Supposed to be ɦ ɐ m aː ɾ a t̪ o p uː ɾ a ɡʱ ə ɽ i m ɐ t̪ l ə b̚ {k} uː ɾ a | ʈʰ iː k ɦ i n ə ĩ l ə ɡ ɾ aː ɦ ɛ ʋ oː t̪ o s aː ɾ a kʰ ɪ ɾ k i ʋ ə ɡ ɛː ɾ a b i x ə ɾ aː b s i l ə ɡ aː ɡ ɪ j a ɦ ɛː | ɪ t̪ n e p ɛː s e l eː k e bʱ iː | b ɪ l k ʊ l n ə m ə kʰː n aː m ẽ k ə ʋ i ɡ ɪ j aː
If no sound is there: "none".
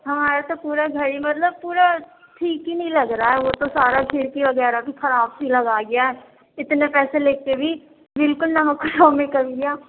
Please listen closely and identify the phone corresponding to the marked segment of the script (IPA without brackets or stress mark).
p